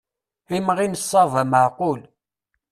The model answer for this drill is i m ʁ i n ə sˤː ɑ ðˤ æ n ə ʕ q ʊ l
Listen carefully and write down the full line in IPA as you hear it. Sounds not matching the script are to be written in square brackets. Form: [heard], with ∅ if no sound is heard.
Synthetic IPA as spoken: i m ʁ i n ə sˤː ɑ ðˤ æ [m] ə ʕ q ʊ l